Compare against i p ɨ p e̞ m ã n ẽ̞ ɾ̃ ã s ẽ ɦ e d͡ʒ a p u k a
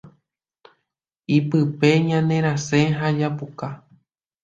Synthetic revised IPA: i p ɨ p e̞ ɲ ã n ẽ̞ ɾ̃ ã s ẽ ɦ a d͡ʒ a p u k a